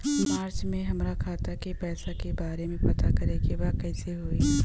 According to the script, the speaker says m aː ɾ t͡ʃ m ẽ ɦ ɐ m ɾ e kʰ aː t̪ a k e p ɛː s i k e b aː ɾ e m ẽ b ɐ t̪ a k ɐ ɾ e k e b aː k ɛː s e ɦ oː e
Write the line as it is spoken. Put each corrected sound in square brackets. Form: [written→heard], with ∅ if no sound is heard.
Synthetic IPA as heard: m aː ɾ t͡ʃ m ẽ ɦ ɐ m ɾ [e→a] kʰ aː t̪ a k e p ɛː s [i→a] k e b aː ɾ e m ẽ [b→p] ɐ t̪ a k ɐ ɾ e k e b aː k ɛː s e ɦ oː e